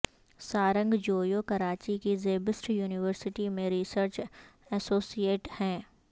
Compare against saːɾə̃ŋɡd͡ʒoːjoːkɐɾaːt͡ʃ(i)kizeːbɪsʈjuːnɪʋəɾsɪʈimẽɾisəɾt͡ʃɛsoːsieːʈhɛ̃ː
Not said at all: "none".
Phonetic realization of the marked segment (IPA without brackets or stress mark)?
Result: i